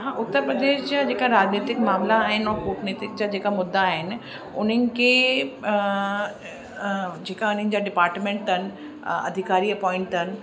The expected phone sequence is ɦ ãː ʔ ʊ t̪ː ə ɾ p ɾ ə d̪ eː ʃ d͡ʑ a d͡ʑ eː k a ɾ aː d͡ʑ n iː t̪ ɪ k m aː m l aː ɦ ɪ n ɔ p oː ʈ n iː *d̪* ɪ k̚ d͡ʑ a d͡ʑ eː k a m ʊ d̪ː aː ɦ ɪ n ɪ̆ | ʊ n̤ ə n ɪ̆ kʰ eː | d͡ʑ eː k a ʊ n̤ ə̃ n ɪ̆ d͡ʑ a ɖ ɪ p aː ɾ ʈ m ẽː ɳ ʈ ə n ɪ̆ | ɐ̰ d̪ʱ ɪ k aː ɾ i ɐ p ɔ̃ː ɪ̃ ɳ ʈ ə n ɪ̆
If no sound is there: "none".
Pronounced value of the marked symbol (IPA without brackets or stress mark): t̪